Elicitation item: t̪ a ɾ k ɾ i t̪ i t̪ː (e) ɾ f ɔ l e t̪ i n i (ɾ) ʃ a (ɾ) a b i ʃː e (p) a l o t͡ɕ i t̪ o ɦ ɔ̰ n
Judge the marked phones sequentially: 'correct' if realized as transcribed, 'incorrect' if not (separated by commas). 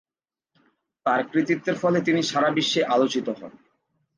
correct, incorrect, correct, incorrect